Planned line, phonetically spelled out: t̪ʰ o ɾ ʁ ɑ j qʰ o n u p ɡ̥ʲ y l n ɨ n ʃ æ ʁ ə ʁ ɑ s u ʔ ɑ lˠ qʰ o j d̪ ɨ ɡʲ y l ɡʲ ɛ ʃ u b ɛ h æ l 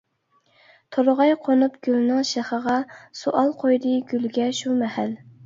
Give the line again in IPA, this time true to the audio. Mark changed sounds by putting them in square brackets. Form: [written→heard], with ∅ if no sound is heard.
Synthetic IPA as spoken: t̪ʰ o ɾ ʁ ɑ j qʰ o n u p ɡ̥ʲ y l n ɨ [n→ŋ] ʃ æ [ʁ→χ] ə ʁ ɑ s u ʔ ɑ lˠ qʰ o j d̪ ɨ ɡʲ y l ɡʲ ɛ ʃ u [b→m] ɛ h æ l